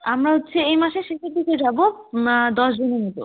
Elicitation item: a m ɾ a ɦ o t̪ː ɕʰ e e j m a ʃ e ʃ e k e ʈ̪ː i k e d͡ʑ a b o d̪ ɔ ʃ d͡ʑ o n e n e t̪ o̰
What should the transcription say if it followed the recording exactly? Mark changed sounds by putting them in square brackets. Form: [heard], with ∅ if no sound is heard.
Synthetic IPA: a m ɾ a ɦ o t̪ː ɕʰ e e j m a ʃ e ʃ e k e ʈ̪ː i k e d͡ʑ a b o d̪ ɔ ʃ d͡ʑ o n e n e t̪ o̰

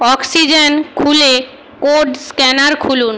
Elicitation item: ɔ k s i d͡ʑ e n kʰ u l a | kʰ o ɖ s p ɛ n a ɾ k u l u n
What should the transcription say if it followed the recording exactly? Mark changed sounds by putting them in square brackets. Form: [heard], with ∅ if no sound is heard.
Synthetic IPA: ɔ k s i d͡ʑ e n kʰ u l [e] | [k] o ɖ s [k] ɛ n a ɾ [kʰ] u l u n

